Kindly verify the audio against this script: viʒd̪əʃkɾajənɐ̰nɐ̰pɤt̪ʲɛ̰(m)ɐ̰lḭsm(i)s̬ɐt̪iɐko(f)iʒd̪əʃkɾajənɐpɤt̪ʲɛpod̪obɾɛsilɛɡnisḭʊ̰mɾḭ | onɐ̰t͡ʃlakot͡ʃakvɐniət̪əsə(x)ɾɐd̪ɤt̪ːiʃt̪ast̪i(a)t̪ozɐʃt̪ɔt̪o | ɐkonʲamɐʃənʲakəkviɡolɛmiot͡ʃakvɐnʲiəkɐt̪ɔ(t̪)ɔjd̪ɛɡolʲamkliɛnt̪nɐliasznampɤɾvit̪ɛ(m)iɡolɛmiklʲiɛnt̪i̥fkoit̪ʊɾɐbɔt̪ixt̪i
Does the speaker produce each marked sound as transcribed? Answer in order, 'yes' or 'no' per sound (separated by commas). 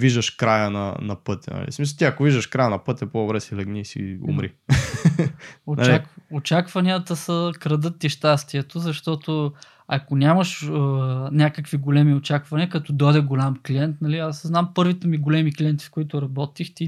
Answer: no, yes, no, no, no, no, yes